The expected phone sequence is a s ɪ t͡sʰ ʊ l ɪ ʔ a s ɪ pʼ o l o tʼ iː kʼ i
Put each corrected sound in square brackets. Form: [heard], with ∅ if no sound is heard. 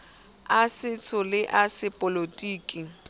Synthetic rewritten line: a s ɪ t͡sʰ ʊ l ɪ ʔ a s ɪ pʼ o l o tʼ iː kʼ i